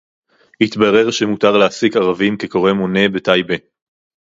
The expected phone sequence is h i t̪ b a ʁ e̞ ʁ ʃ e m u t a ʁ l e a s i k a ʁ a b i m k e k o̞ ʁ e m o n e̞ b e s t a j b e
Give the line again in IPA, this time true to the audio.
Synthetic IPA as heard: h i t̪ b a ʁ e̞ ʁ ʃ e m u t a ʁ l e a s i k a ʁ a v i m k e k o̞ ʁ e m o n e̞ b e t a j b e